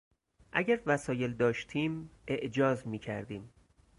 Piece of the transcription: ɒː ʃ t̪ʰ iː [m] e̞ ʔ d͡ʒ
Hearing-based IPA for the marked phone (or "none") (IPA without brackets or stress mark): m